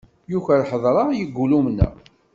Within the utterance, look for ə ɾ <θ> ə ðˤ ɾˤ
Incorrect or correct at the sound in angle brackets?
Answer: incorrect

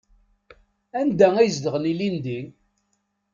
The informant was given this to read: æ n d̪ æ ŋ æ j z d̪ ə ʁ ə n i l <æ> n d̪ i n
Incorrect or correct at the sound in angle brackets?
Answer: incorrect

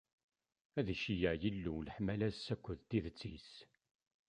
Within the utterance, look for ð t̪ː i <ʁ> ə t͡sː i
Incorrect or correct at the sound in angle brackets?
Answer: incorrect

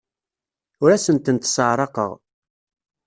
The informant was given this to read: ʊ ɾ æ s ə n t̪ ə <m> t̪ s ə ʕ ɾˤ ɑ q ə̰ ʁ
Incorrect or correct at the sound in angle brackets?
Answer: incorrect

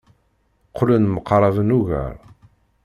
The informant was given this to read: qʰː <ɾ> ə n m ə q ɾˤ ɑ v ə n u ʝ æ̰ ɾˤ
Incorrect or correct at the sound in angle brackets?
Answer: incorrect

